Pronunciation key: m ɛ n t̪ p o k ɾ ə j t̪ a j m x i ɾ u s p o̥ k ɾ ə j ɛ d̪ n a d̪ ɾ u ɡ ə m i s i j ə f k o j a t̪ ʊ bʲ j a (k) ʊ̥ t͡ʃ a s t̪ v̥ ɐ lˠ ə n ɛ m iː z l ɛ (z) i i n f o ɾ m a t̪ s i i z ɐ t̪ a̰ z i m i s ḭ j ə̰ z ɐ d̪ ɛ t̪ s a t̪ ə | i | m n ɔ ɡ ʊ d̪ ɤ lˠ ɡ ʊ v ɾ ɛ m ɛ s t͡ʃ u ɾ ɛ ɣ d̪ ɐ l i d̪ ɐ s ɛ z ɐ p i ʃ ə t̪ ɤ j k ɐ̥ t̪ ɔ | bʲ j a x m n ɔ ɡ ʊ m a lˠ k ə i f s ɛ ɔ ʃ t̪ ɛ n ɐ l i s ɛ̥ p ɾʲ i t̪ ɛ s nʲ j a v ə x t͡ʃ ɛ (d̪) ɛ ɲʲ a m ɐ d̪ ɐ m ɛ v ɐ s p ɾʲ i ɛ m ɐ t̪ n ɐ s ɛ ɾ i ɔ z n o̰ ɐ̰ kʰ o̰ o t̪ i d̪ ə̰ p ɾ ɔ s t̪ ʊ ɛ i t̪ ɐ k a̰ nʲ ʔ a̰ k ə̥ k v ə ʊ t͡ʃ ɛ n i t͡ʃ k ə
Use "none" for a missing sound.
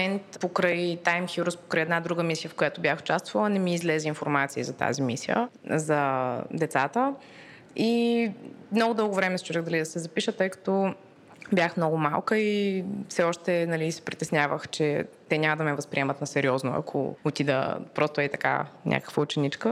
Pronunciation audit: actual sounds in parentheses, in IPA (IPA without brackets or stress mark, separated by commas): x, z, t̪